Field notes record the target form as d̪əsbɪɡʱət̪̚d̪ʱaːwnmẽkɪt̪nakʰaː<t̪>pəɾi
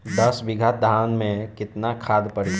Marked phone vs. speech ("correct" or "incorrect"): incorrect